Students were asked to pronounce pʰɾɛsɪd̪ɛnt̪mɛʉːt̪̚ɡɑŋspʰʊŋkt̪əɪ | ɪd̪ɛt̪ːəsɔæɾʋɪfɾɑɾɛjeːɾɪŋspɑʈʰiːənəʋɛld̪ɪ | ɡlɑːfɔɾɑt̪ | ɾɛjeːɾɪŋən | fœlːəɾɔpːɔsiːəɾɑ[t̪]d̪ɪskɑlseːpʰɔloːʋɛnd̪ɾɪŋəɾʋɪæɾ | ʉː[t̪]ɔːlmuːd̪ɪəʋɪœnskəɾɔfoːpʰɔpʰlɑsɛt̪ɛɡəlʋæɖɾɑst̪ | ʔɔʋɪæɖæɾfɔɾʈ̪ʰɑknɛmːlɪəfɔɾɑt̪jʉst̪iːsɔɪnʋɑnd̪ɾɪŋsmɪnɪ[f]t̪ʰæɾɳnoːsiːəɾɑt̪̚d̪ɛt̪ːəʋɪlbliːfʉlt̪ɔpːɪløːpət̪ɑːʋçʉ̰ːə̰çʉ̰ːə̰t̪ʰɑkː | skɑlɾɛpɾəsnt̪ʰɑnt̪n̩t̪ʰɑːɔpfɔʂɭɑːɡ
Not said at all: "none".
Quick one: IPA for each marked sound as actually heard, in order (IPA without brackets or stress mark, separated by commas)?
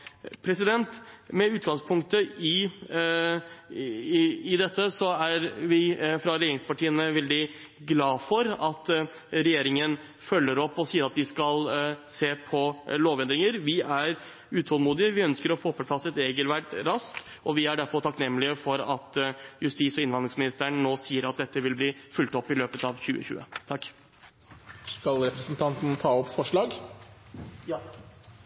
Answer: t̪, t̪ʰ, s